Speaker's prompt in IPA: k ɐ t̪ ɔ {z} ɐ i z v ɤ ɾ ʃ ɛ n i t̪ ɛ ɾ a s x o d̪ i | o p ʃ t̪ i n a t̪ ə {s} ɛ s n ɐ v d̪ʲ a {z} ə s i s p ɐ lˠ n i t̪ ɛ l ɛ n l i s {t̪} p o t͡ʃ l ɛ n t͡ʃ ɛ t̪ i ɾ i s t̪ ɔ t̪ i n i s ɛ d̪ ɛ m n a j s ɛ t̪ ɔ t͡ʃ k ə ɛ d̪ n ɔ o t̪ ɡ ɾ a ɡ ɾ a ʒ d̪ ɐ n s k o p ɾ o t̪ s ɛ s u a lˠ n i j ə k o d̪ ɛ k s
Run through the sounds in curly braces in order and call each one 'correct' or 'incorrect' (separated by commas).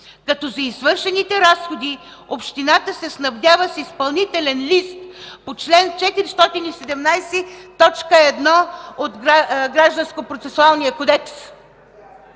correct, correct, incorrect, correct